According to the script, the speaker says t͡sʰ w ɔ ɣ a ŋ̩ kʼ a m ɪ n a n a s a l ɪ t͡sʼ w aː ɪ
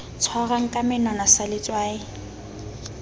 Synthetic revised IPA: t͡sʰ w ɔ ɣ a ŋ̩ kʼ a m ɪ n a n a s a l ɪ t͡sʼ w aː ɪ